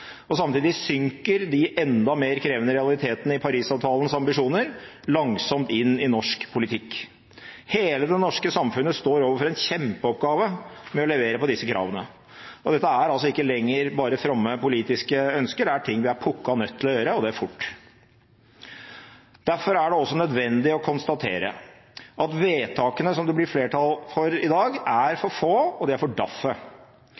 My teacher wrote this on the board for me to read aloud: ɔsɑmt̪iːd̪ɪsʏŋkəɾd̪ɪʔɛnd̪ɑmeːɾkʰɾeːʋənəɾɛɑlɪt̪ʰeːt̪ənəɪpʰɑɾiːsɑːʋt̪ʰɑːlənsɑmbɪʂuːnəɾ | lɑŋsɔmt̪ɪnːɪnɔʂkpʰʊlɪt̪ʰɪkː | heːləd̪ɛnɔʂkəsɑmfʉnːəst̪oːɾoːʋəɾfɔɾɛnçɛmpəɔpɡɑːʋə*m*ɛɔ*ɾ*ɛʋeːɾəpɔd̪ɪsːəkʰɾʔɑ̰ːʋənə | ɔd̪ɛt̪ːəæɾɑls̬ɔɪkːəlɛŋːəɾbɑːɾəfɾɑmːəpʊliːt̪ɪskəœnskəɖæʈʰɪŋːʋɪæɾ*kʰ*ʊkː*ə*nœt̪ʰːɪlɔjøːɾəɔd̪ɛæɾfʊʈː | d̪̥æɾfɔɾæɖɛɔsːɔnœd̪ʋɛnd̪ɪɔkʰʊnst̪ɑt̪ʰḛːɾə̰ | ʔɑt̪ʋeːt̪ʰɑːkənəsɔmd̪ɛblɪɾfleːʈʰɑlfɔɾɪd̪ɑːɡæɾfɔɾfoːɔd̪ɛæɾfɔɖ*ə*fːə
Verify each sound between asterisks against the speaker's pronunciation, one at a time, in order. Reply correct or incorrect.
correct, incorrect: l, incorrect: pʰ, incorrect: ɑ, incorrect: ɑ

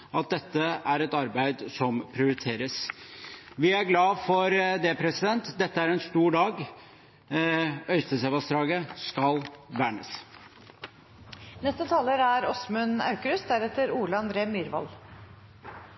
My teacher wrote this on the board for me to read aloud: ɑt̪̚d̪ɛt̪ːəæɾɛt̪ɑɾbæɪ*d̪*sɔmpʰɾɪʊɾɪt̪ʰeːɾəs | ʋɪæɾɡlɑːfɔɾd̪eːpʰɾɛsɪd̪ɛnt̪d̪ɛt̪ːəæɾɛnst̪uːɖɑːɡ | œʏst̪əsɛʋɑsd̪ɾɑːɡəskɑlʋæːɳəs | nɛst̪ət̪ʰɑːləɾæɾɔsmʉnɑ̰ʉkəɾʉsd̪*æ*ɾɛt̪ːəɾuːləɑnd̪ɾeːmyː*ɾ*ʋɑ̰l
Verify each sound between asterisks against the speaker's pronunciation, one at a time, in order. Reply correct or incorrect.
correct, correct, correct

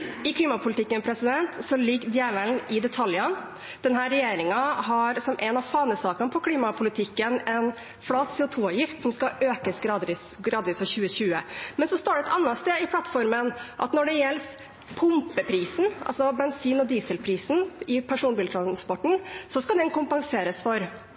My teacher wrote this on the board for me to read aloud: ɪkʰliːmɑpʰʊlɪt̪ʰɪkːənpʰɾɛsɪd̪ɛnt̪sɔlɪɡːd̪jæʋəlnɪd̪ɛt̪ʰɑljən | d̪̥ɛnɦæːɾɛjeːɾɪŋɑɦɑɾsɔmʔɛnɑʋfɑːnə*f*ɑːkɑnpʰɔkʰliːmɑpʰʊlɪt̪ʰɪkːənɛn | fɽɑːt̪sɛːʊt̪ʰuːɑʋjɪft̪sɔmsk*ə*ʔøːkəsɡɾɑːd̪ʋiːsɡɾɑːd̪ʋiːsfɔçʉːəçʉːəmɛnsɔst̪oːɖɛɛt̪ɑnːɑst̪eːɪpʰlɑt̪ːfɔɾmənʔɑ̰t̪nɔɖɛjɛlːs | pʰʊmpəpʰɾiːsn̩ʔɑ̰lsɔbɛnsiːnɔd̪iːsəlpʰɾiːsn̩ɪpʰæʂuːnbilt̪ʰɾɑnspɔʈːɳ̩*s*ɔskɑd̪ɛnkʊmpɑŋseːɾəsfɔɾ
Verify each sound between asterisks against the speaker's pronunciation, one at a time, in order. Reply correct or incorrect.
incorrect: s, incorrect: ɑ, correct

